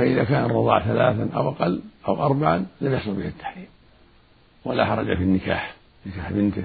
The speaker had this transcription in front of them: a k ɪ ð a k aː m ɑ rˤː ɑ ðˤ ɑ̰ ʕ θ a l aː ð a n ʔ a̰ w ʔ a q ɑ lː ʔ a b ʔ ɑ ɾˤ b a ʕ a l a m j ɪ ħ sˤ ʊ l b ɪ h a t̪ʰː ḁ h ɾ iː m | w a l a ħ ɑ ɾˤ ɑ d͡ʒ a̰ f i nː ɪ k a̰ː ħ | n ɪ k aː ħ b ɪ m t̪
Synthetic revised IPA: a ʔ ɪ ð a k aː n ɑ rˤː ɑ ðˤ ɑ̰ ʕ θ a l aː θ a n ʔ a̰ w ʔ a q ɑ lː ʔ a w ʔ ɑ ɾˤ b a ʕ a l a m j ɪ ħ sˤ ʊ l b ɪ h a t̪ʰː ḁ ħ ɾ iː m | w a l a ħ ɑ ɾˤ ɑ d͡ʒ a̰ f i nː ɪ k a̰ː ħ | n ɪ k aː ħ b ɪ n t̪